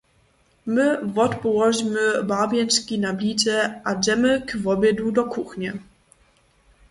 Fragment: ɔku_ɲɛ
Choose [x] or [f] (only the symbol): x